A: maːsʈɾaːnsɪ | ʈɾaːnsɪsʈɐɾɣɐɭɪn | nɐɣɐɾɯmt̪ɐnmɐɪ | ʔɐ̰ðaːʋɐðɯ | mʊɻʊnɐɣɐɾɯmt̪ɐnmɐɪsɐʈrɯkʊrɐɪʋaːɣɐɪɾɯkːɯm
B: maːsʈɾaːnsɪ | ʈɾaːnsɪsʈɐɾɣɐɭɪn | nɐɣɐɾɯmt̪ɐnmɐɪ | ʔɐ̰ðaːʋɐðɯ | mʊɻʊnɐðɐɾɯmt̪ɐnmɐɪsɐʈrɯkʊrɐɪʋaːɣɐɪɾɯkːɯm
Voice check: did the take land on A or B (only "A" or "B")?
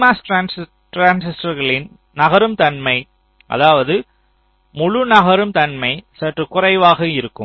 A